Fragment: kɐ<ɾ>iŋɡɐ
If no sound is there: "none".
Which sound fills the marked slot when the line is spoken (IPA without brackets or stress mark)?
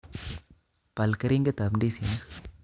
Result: ɾ